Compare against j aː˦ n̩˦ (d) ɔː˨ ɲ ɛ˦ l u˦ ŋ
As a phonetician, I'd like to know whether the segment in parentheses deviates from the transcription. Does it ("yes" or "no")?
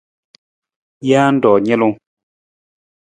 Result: no